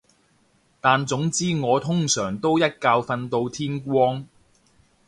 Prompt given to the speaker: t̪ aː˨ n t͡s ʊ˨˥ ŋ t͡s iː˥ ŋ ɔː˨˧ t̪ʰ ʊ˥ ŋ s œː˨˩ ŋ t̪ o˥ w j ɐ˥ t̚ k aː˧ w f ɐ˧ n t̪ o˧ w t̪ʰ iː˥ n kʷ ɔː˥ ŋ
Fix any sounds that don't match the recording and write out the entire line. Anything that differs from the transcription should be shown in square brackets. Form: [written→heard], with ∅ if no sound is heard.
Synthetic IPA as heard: t̪ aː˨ n t͡s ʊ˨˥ ŋ t͡s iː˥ ŋ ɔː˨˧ t̪ʰ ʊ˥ ŋ s œː˨˩ ŋ t̪ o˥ w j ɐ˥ t̚ k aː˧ w f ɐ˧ n t̪ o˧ w t̪ʰ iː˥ n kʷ ɔː˥ ŋ